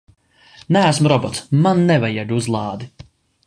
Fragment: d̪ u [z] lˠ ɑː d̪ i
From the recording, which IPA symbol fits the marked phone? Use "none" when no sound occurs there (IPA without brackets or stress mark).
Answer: z